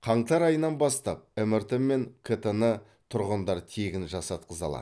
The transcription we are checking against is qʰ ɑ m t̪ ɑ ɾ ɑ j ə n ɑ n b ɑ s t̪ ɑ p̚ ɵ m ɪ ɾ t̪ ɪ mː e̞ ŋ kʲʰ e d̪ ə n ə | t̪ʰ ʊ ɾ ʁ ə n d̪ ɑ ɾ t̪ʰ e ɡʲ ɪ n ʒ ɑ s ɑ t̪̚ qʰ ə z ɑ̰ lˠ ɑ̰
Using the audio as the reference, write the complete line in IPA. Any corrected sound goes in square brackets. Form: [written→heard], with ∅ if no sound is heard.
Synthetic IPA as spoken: qʰ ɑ [m→ɴ] t̪ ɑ ɾ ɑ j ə n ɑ n b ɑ s t̪ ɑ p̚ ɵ m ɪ ɾ t̪ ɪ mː e̞ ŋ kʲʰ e [d̪→t̪] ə n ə | t̪ʰ ʊ ɾ ʁ ə n d̪ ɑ ɾ t̪ʰ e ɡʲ ɪ n ʒ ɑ s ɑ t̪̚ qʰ ə z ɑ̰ lˠ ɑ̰

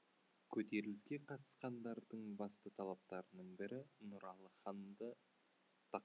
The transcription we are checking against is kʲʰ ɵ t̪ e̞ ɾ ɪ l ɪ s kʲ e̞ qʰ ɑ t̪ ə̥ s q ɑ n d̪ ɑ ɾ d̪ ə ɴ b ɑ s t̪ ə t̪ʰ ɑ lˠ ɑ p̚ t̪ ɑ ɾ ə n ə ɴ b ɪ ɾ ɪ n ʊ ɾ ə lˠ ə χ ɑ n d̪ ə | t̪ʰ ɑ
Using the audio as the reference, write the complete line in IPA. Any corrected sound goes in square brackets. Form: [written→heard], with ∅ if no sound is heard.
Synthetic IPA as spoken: kʲʰ ɵ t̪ e̞ ɾ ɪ l ɪ s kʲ e̞ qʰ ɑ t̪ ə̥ s q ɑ n d̪ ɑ ɾ d̪ ə ɴ b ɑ s t̪ ə t̪ʰ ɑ lˠ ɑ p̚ t̪ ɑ ɾ ə n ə ɴ b ɪ ɾ ɪ n ʊ ɾ [ə→ɑ] lˠ ə χ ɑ n d̪ ə | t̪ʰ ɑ

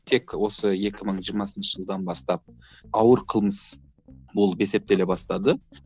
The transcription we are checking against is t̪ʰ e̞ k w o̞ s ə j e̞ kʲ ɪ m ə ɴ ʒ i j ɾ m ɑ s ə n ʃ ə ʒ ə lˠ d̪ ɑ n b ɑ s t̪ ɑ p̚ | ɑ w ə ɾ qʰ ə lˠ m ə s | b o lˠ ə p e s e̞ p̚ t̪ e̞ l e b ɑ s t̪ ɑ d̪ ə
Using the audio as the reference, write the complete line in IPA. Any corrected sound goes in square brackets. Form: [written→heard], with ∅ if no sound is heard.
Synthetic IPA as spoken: t̪ʰ e̞ k w o̞ s ə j e̞ kʲ ɪ m ə ɴ ʒ i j ɾ m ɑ s ə n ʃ ə ʒ ə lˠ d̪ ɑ n b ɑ s t̪ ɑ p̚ | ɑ w ə ɾ qʰ ə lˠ m ə s | b o lˠ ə p e s e̞ p̚ t̪ e̞ l e b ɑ s t̪ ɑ d̪ ə

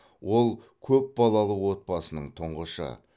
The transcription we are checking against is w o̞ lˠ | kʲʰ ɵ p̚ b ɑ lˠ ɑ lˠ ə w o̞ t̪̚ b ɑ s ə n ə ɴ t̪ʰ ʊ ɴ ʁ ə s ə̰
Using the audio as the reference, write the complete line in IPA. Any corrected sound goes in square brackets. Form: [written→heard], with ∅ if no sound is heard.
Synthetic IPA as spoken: w o̞ lˠ | kʲʰ ɵ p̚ b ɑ lˠ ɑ lˠ ə w o̞ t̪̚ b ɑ s ə n ə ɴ t̪ʰ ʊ ɴ ʁ ə [s→ʃ] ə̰

